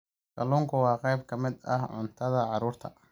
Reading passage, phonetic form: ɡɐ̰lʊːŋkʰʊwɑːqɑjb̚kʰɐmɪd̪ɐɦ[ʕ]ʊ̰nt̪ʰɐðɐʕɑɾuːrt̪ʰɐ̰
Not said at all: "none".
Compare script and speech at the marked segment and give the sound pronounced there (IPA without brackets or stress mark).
ʕ